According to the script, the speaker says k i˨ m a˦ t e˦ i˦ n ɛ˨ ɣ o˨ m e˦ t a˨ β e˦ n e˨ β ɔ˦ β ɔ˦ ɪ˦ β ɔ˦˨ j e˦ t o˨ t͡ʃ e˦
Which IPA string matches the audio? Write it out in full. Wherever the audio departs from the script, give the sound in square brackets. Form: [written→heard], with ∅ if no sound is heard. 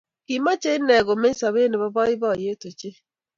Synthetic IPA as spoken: k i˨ m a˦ [t→t͡ʃ] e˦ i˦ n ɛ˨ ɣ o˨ m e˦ [t→s] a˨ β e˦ n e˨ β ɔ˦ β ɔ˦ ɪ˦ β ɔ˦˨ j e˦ t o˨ t͡ʃ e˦

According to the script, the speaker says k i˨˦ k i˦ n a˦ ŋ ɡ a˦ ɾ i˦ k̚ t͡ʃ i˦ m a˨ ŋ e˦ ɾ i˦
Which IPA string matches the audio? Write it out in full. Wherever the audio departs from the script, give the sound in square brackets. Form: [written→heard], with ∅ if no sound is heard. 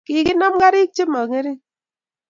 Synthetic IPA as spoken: k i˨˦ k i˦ n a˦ [ŋ→m] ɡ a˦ ɾ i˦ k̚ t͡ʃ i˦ m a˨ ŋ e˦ ɾ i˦

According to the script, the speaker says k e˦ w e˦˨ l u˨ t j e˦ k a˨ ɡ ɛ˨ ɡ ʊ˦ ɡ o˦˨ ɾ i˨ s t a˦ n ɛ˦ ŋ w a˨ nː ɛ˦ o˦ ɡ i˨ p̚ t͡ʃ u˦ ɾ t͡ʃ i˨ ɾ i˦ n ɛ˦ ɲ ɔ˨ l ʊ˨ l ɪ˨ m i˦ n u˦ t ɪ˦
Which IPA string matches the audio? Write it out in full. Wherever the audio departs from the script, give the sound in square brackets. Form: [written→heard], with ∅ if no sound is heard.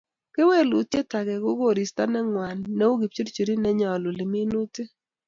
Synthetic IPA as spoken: k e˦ w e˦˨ l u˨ t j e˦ [k→t] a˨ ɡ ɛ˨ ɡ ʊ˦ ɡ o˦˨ ɾ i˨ s t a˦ n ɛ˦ ŋ w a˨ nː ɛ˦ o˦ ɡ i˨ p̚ t͡ʃ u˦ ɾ t͡ʃ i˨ ɾ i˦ n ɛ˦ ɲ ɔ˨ l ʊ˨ l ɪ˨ m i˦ n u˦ t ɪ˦

